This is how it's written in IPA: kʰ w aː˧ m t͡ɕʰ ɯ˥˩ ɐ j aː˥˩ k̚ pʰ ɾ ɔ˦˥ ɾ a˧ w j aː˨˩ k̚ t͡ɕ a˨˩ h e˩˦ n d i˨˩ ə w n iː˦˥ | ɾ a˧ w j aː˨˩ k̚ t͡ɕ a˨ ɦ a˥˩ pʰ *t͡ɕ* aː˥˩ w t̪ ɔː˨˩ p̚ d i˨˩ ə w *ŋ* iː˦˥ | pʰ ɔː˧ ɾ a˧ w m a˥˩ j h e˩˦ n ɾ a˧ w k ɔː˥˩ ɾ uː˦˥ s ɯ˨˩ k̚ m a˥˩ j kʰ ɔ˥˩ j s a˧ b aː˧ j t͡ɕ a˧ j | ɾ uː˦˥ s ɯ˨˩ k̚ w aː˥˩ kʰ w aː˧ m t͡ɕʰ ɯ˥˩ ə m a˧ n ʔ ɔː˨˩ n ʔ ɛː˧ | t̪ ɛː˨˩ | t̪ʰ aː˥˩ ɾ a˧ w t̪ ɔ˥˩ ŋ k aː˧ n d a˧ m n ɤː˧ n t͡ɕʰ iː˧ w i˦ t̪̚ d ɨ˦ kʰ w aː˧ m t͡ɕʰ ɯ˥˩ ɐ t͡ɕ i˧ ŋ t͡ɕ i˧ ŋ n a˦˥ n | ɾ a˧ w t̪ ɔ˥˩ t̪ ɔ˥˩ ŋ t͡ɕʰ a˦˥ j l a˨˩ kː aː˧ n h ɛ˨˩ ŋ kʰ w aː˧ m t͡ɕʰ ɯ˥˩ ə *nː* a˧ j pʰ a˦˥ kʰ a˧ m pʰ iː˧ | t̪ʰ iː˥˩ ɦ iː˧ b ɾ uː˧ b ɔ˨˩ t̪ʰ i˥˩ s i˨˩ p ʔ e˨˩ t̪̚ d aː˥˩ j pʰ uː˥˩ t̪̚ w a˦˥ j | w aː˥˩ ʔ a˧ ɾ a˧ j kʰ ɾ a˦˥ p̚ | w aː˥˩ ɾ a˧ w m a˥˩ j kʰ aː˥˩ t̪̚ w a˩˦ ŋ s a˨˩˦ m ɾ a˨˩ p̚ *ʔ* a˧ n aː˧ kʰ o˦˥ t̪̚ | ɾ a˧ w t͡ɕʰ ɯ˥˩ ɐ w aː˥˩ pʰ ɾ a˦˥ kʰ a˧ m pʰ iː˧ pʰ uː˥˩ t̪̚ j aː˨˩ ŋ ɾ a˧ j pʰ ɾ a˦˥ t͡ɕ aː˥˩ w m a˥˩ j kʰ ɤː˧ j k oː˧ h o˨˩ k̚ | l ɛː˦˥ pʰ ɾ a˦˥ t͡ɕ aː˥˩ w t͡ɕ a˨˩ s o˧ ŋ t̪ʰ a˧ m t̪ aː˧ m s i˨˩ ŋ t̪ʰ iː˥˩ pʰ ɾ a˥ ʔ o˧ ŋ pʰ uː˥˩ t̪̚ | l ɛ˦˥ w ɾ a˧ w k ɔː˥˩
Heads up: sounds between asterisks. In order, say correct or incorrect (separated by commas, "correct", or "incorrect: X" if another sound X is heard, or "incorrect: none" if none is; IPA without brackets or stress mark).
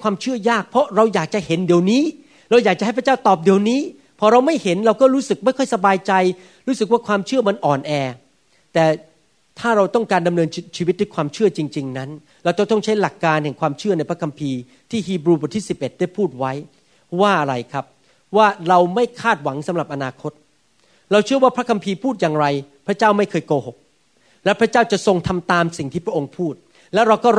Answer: correct, incorrect: n, incorrect: n, correct